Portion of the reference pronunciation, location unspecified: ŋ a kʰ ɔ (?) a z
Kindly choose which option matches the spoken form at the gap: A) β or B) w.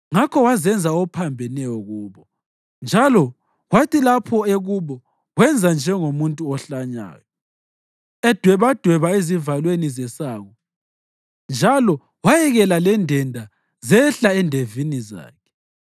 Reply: B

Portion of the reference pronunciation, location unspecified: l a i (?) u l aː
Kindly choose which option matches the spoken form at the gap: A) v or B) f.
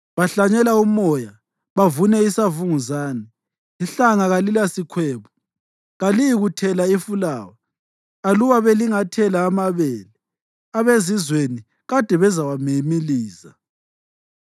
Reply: B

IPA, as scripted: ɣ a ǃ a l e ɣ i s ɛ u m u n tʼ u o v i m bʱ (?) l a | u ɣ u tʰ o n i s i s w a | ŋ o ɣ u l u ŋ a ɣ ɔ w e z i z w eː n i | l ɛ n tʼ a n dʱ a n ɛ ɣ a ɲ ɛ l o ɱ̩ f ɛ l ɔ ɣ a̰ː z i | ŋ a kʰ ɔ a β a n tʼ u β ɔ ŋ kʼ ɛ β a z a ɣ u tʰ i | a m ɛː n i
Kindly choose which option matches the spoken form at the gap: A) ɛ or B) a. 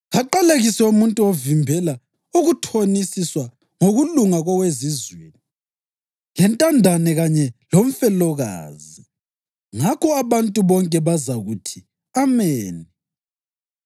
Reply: A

